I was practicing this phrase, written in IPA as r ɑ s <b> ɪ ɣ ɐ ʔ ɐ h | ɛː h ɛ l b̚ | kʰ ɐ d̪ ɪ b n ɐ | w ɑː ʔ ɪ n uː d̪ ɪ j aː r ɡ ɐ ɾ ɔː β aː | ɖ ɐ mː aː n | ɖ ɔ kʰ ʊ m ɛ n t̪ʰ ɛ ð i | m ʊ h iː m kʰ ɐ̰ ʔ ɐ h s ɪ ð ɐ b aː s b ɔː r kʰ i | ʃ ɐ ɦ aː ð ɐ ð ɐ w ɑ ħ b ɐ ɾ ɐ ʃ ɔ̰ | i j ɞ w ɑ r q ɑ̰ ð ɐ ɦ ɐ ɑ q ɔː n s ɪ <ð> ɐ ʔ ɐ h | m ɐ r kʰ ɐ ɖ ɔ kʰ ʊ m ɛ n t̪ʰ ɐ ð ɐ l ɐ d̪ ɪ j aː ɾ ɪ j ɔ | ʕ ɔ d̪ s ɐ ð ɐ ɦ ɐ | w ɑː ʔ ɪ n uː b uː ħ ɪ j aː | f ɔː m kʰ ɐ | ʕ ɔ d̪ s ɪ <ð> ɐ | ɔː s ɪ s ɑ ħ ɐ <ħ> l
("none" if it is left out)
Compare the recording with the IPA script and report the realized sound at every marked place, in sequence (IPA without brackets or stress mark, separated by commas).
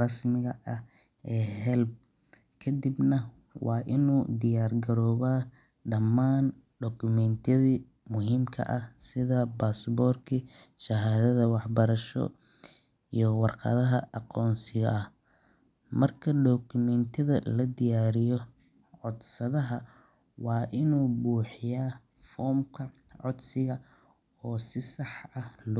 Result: m, ɣ, ɣ, h